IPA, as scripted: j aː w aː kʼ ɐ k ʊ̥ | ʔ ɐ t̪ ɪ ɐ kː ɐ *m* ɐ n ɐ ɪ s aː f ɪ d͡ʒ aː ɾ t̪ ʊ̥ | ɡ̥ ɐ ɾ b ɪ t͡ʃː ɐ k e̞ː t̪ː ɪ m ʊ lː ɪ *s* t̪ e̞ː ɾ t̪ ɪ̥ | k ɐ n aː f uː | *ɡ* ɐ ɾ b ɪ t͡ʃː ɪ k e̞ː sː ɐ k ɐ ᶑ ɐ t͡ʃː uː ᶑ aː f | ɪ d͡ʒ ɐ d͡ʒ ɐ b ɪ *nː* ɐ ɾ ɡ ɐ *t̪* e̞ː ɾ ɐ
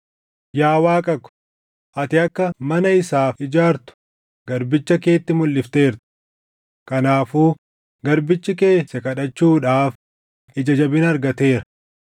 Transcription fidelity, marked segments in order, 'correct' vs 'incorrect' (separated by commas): correct, incorrect, correct, incorrect, correct